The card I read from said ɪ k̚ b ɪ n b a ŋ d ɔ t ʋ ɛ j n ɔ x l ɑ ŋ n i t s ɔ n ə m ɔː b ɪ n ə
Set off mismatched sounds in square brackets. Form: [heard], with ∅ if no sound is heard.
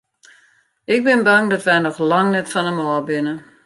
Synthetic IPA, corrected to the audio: ɪ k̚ b ɪ n b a ŋ d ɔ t ʋ ɛ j n ɔ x l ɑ ŋ n [ɛ] t [f] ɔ n ə m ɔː b ɪ n ə